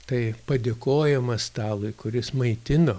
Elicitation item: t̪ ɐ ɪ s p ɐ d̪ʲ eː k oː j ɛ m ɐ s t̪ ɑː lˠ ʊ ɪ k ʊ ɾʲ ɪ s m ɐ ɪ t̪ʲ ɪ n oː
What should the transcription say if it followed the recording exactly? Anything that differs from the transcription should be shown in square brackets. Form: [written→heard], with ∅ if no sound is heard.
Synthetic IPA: t̪ ɐ ɪ [s→∅] p ɐ d̪ʲ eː k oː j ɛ m ɐ s t̪ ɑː lˠ ʊ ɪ k ʊ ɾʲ ɪ s m ɐ ɪ t̪ʲ ɪ n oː